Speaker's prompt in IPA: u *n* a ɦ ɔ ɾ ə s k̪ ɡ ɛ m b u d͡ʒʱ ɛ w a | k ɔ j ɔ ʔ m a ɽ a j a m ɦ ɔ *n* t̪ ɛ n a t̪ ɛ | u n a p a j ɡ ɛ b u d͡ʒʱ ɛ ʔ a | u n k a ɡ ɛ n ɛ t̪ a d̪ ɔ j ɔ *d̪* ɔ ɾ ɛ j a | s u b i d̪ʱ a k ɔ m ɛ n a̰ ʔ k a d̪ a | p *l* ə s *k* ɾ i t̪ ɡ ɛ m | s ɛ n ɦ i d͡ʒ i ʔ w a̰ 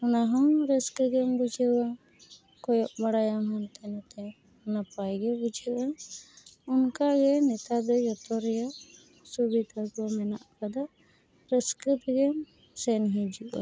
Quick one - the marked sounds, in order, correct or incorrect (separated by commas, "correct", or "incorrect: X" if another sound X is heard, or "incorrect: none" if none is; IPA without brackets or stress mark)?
correct, correct, incorrect: t̪, incorrect: ɾ, correct